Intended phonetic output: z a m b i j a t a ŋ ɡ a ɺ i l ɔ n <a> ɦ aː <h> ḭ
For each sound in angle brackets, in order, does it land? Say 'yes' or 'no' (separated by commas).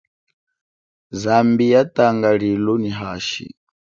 no, no